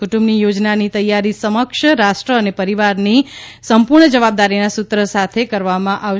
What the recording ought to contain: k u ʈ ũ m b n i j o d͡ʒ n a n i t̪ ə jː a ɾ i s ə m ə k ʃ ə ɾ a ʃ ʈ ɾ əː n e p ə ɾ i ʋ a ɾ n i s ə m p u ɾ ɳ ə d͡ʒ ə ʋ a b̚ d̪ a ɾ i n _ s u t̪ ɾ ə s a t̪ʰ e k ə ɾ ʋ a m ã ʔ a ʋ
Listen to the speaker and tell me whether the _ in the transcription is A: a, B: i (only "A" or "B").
A